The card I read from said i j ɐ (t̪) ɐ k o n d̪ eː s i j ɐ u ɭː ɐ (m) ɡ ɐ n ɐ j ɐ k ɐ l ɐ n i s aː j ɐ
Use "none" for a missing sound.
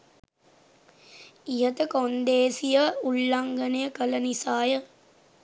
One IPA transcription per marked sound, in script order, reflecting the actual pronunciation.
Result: t̪, ŋ

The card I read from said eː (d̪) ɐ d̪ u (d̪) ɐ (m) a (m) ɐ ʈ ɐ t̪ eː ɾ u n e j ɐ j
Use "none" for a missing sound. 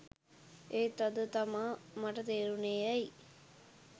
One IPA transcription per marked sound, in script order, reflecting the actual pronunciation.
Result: t̪, t̪, m, m

